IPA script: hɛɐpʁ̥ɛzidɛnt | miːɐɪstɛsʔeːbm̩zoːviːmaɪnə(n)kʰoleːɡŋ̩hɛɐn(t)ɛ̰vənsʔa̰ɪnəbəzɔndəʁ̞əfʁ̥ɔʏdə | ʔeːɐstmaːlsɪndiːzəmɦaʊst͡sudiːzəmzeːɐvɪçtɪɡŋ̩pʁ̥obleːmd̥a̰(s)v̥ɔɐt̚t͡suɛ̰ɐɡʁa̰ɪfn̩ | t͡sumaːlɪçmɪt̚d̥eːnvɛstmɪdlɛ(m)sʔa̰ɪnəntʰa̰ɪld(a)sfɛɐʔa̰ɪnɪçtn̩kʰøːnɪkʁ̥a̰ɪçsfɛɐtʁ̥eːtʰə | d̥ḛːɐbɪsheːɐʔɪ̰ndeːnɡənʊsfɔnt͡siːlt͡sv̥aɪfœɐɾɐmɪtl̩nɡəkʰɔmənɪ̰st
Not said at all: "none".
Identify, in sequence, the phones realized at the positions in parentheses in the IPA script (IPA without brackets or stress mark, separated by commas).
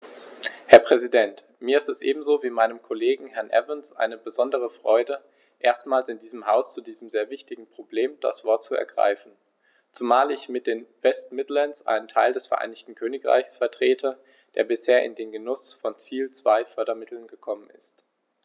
m, ʔ, s, n, ɛ